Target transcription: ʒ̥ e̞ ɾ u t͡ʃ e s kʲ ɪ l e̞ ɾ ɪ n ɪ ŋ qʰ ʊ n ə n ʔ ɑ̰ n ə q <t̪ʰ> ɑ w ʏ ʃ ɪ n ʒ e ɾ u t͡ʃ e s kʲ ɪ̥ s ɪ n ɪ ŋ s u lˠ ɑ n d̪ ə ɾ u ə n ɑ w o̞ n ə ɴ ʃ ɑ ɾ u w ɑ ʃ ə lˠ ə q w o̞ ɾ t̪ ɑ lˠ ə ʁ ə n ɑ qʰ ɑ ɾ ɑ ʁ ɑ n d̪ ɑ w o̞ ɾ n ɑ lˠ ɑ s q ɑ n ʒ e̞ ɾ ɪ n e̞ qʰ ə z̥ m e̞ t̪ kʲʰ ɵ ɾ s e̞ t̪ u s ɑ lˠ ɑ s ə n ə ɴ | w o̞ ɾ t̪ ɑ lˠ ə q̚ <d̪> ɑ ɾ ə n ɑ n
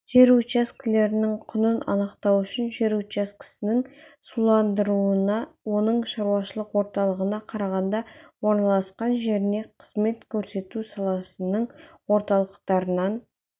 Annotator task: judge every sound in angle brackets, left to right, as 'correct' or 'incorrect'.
incorrect: t̪, incorrect: t̪

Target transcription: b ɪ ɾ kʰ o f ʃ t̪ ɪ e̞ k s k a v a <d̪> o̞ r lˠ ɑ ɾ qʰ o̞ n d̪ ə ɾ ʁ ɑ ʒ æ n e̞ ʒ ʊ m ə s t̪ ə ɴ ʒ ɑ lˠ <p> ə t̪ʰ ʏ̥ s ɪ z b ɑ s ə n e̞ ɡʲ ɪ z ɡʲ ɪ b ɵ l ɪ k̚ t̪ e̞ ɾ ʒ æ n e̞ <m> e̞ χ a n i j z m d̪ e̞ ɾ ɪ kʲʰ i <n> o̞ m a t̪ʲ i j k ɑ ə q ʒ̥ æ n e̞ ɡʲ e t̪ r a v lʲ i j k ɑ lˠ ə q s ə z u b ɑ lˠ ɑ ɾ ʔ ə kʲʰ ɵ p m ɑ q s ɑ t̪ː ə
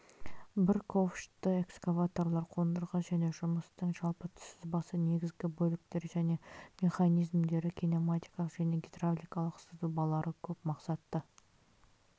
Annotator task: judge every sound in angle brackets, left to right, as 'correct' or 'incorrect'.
incorrect: t̪, correct, correct, correct

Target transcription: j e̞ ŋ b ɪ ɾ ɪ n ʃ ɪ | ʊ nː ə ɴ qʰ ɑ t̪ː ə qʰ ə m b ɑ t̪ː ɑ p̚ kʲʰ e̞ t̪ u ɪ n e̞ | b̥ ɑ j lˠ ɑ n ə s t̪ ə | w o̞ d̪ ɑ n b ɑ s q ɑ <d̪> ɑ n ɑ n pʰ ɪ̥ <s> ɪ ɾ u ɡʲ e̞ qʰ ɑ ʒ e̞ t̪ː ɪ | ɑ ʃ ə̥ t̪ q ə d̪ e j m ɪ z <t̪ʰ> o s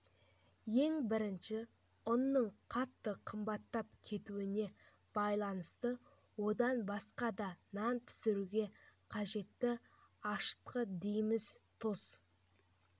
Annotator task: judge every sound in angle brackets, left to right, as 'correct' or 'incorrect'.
correct, correct, correct

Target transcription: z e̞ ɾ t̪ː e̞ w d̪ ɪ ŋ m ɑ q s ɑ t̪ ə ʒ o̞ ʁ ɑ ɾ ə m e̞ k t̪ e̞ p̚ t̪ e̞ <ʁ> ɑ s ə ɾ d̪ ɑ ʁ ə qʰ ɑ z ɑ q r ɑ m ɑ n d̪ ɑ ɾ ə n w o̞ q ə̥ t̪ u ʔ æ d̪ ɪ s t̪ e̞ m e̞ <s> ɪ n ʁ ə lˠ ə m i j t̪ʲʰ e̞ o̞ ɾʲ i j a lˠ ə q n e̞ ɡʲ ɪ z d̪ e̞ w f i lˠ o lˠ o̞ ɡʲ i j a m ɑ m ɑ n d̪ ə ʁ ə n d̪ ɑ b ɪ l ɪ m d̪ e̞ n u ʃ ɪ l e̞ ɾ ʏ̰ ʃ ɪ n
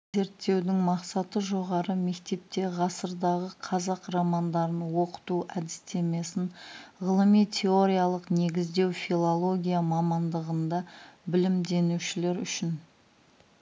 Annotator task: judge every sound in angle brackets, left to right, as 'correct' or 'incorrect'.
correct, correct

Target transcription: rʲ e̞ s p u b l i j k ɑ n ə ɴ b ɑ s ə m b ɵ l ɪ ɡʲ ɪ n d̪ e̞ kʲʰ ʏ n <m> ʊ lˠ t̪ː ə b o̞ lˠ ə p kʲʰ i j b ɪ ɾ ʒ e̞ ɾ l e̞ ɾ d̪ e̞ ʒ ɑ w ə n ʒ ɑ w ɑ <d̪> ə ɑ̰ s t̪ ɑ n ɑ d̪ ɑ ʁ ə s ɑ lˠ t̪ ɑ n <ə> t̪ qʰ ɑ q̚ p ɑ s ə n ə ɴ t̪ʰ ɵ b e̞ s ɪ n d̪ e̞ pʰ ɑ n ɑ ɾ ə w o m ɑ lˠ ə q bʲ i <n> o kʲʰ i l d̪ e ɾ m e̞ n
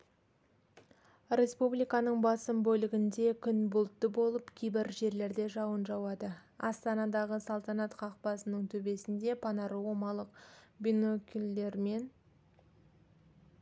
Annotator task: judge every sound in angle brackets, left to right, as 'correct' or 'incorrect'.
incorrect: b, correct, incorrect: ɑ, correct

